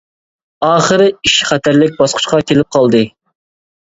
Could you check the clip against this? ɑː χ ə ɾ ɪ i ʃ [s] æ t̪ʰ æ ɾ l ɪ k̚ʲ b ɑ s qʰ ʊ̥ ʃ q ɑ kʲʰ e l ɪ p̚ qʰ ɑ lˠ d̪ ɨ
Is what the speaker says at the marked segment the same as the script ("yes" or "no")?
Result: no